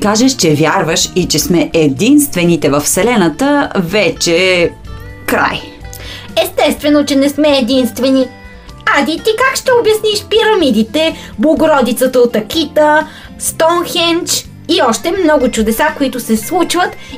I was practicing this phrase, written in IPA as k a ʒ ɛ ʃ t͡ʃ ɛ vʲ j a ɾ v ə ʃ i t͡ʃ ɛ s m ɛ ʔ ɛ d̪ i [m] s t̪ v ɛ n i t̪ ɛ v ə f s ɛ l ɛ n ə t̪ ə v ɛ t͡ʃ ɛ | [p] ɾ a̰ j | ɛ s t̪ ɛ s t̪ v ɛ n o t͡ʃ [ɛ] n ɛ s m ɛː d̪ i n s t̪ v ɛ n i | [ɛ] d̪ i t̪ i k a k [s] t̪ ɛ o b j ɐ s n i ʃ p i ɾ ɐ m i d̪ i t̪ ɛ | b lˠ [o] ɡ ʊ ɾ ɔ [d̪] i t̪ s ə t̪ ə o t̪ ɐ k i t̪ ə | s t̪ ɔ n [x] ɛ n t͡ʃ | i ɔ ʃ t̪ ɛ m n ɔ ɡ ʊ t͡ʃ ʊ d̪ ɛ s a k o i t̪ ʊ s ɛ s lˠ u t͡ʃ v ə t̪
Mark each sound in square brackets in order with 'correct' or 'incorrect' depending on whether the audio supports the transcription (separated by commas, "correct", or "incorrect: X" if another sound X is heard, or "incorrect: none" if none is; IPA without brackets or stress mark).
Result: incorrect: n, incorrect: k, correct, incorrect: a, incorrect: ʃ, correct, correct, correct